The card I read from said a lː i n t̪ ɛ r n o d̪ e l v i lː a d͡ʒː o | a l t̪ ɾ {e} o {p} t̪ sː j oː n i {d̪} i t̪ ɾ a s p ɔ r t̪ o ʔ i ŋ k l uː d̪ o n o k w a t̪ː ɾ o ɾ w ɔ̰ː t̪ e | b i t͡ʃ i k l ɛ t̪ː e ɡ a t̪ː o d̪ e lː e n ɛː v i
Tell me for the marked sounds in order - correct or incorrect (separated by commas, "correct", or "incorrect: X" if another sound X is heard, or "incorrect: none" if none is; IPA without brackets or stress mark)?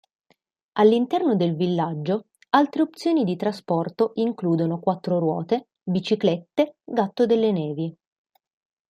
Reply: correct, correct, correct